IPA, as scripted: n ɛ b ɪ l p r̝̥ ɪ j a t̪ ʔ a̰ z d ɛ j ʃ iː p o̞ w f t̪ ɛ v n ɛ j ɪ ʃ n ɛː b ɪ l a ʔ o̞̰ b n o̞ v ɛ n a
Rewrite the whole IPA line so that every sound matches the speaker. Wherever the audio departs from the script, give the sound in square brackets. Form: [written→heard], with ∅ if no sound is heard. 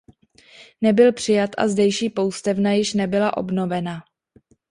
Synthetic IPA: n ɛ b ɪ l p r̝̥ ɪ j a t̪ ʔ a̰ z d ɛ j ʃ iː p o̞ w [f→s] t̪ ɛ v n [ɛ→a] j ɪ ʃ n [ɛː→ɛ] b ɪ l a ʔ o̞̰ b n o̞ v ɛ n a